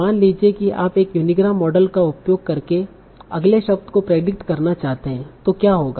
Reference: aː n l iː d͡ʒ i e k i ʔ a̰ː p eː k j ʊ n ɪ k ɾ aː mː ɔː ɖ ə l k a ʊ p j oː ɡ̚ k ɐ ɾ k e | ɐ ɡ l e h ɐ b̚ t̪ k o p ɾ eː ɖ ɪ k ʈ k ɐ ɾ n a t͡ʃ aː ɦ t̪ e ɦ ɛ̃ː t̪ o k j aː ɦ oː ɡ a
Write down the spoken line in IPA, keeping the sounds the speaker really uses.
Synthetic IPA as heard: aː n l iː d͡ʒ i e k i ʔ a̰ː p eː k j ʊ n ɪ ɡ ɾ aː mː ɔː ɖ ə l k a ʊ p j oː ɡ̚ k ɐ ɾ k e | ɐ ɡ l e ʃ ɐ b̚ t̪ k o p ɾ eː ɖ ɪ k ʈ k ɐ ɾ n a t͡ʃ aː ɦ t̪ e ɦ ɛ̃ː t̪ o k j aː ɦ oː ɡ a